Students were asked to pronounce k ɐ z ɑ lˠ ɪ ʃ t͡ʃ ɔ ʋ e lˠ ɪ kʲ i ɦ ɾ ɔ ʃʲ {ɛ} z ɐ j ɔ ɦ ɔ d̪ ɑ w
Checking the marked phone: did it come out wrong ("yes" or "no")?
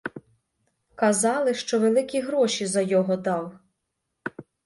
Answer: yes